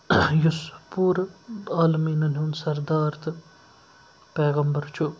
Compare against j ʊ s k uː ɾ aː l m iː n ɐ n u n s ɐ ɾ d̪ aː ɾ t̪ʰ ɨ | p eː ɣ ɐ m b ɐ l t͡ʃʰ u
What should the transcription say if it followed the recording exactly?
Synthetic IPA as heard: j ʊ s p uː ɾ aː l m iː n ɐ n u n s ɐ ɾ d̪ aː ɾ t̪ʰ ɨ | p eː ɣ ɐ m b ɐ ɾ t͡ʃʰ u